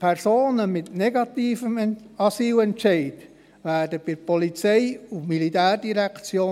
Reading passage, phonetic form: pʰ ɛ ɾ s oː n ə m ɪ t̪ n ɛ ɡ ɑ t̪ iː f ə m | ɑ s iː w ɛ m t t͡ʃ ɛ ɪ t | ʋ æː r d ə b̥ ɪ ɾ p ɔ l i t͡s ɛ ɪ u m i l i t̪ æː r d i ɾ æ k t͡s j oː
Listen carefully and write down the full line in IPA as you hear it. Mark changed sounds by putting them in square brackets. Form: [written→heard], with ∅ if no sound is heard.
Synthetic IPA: pʰ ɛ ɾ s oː n ə m ɪ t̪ n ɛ ɡ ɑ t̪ iː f ə m | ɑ s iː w ɛ [m→n] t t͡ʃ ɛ ɪ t | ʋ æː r d ə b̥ ɪ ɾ p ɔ l i t͡s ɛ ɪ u m i l i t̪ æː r d i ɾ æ k t͡s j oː

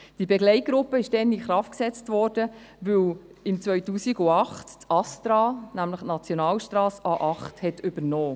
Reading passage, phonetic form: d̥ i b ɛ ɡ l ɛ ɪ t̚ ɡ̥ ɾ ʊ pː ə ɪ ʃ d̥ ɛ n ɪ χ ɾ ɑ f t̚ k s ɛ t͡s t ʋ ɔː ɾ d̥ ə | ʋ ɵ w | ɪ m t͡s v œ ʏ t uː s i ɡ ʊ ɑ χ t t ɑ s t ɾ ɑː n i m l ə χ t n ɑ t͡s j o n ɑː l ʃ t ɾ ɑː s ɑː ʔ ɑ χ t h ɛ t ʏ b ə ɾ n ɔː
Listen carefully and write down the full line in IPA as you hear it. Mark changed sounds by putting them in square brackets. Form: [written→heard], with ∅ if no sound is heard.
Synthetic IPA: d̥ i b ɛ ɡ l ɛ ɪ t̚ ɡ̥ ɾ ʊ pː ə ɪ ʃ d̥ ɛ n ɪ χ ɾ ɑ f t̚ k s ɛ t͡s t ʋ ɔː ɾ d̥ ə | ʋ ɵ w | ɪ m t͡s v œ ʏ t uː s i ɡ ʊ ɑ χ t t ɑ s t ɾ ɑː n [i→æ] m l ə χ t n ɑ t͡s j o n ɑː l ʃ t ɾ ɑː s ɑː ʔ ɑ χ t h ɛ t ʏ b ə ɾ n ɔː

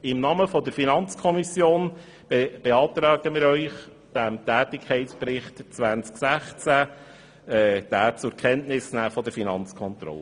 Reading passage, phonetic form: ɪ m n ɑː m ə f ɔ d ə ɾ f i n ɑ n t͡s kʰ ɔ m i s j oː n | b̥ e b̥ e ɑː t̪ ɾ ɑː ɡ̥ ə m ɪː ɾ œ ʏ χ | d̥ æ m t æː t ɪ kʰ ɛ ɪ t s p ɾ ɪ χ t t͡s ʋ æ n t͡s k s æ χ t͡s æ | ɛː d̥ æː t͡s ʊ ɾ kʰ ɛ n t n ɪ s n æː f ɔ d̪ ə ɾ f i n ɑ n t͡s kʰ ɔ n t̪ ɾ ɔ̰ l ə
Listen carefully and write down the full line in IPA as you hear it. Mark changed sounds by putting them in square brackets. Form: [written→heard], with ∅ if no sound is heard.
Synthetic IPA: ɪ m n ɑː m ə f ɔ d ə ɾ f i n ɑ n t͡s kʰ ɔ m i s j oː n | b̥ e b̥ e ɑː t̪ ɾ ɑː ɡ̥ ə m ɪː ɾ œ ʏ χ | d̥ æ m t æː t ɪ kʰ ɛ ɪ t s p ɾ ɪ χ t t͡s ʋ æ n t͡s k s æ χ t͡s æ | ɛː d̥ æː t͡s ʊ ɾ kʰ ɛ n t n ɪ s n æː f ɔ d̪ ə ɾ f i n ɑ n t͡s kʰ ɔ n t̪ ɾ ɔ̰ l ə

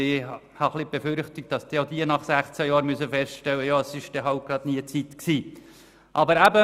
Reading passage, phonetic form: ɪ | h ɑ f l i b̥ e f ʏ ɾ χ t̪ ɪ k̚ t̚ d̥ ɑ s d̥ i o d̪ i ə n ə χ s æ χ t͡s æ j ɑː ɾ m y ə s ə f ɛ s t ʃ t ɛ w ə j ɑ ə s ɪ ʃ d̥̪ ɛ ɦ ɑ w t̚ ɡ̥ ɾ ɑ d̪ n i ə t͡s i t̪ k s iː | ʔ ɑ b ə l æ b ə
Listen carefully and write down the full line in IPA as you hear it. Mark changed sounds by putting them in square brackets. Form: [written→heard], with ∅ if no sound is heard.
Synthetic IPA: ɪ | h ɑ [f→χ] l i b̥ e f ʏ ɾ χ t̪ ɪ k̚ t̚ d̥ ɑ s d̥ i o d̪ i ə n [ə→ɑ] χ s æ χ t͡s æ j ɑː ɾ m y ə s ə f ɛ s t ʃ t ɛ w ə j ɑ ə s ɪ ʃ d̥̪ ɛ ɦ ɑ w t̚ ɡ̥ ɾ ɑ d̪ n i ə t͡s i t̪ k s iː | ʔ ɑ b ə [l→ɾ] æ b ə

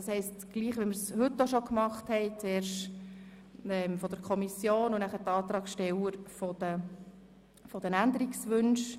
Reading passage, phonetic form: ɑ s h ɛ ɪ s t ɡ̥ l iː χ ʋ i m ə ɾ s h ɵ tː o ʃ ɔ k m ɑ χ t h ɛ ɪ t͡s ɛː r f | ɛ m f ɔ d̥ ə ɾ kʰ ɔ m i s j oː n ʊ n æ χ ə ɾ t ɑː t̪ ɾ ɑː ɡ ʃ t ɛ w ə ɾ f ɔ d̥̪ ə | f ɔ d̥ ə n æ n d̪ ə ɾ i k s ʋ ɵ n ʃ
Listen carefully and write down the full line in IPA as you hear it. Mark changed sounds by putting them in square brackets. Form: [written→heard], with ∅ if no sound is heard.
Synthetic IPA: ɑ s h ɛ ɪ s t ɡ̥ l iː χ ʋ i m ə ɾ s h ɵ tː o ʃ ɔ k m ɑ χ t h ɛ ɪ t͡s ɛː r [f→ʃ] | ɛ m f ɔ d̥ ə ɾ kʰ ɔ m i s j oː n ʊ n æ χ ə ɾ t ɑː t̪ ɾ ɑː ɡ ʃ t ɛ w ə ɾ f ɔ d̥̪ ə | f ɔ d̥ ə n æ n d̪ ə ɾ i k s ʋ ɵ n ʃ

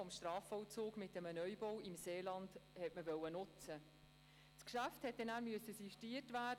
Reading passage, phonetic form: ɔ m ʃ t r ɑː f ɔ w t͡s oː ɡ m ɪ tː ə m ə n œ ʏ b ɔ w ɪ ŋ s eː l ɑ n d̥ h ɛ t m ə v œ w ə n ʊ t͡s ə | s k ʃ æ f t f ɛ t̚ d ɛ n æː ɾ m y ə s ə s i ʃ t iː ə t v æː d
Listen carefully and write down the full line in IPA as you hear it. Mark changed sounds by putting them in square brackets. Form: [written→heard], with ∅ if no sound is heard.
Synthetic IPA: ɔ m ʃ t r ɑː f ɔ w t͡s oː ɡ m ɪ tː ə m ə n œ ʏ b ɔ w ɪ [ŋ→m] s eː l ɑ n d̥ h ɛ t m ə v œ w ə n ʊ t͡s ə | s k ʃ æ f t [f→h] ɛ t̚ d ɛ n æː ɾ m y ə s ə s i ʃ t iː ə t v æː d

